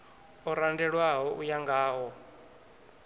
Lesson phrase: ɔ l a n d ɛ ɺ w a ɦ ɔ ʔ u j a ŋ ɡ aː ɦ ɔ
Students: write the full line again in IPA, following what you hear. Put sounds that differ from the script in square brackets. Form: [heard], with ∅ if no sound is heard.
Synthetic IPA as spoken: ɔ [ɾ] a n d ɛ ɺ w a ɦ ɔ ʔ u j a ŋ ɡ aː ɦ ɔ